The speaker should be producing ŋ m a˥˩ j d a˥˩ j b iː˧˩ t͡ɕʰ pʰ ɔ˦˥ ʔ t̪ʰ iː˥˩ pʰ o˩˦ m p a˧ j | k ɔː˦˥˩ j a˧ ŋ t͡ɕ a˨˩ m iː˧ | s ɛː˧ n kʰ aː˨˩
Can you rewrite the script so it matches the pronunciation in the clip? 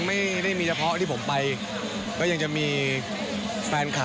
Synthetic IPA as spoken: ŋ m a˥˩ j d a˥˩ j m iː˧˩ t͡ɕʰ pʰ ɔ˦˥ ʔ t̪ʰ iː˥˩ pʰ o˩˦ m p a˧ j | k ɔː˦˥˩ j a˧ ŋ t͡ɕ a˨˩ m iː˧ | f ɛː˧ n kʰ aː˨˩